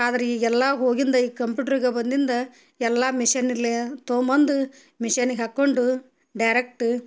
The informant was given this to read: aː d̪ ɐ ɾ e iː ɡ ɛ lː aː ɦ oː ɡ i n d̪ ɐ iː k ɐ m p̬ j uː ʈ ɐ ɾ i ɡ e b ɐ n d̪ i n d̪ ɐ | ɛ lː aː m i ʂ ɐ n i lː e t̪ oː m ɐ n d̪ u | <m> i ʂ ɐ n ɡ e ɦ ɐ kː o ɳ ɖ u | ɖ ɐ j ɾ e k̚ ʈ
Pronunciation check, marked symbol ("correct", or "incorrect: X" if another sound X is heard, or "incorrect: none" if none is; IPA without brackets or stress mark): correct